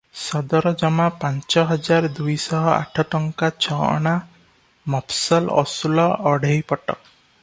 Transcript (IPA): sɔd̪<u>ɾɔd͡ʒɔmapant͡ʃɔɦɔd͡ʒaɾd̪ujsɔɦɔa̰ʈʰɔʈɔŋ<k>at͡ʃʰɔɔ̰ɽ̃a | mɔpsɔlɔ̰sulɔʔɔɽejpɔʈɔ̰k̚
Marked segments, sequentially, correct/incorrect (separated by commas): incorrect, correct